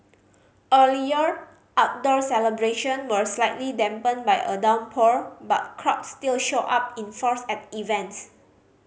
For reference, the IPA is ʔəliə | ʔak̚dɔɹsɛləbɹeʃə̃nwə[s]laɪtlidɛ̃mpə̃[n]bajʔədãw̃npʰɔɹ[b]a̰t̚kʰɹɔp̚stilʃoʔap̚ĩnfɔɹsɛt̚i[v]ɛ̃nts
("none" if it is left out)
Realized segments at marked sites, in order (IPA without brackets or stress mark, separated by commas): s, n, b, v